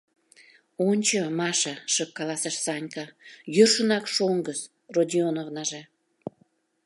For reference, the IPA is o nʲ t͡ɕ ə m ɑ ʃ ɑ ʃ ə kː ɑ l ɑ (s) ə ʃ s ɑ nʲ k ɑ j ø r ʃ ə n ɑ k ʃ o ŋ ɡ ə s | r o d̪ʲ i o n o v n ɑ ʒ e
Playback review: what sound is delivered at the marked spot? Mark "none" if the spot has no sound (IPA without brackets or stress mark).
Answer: s